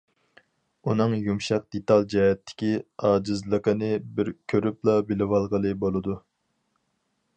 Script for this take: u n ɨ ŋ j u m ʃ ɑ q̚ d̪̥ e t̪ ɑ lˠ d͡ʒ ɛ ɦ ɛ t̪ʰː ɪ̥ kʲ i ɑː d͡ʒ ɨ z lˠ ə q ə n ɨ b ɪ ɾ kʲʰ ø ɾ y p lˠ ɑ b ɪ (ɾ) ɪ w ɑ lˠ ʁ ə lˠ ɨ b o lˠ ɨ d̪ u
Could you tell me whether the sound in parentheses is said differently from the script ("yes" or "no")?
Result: yes